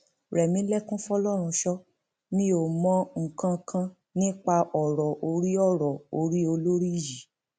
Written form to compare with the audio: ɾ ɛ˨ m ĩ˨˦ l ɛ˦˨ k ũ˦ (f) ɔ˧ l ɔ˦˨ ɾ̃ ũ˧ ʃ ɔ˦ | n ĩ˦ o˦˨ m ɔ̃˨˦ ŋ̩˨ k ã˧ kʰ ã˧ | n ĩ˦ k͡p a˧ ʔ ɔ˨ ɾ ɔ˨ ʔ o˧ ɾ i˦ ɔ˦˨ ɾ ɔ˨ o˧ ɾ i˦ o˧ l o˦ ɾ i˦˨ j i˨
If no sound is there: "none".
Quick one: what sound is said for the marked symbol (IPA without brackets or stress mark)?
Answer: f